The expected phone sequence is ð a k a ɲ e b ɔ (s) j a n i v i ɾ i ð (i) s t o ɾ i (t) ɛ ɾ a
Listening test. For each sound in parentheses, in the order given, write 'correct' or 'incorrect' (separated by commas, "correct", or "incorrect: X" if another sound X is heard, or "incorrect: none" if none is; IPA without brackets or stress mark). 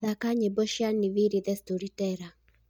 incorrect: ʃ, incorrect: ɛ, correct